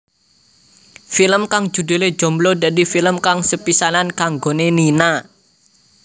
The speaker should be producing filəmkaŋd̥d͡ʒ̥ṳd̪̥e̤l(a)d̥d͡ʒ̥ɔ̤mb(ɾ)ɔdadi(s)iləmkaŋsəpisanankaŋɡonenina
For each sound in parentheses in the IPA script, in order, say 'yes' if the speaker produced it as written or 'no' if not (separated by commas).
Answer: no, no, no